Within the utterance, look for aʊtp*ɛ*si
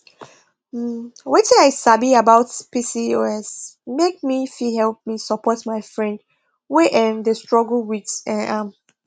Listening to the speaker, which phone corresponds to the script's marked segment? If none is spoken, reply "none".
i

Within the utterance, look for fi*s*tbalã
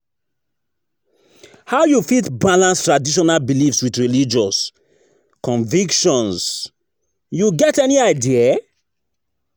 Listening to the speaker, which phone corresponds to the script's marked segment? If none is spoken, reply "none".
none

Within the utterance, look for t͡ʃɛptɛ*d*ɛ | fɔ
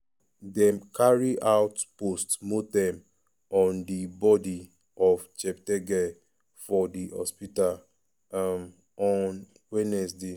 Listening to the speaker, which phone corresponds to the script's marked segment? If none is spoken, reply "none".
ɡ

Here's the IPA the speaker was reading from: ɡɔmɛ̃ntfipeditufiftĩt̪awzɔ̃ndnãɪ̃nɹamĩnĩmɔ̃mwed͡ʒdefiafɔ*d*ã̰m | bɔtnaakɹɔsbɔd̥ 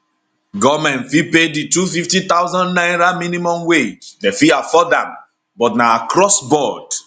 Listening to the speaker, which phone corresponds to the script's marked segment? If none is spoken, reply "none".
d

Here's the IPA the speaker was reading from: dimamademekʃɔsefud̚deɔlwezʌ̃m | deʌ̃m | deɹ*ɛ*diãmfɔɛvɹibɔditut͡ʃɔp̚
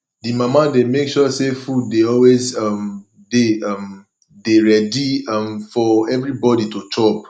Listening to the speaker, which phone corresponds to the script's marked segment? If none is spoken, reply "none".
ɛ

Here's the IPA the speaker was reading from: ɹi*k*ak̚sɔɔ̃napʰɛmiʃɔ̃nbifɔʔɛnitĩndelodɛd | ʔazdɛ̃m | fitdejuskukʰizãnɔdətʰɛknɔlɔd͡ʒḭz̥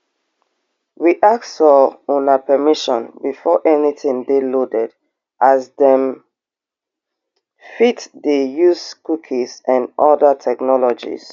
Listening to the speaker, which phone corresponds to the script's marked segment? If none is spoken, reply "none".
ʔ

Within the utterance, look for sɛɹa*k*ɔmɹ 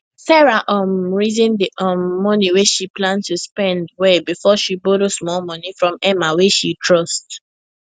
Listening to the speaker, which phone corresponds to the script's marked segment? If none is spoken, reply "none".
ʔ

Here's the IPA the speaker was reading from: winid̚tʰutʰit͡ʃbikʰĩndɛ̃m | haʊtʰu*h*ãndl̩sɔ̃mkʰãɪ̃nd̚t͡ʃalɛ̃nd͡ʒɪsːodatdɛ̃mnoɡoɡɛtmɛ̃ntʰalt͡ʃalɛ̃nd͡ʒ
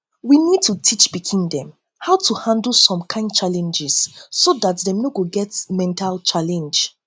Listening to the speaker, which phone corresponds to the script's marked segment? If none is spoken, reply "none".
h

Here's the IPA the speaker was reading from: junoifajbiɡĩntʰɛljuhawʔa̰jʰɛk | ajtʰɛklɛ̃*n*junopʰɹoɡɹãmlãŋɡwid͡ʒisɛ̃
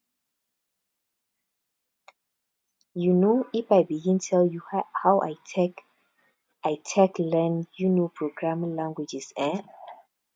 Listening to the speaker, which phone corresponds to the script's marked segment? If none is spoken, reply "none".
n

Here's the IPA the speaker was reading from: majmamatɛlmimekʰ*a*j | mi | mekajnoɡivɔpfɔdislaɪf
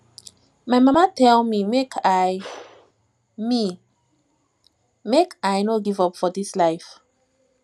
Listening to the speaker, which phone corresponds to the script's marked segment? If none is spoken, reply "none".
a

